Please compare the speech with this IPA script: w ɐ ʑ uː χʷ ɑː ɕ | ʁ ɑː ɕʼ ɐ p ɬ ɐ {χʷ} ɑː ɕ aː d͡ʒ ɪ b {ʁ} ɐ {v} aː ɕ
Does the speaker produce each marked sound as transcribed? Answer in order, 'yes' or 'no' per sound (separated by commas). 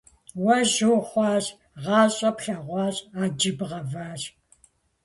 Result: no, yes, yes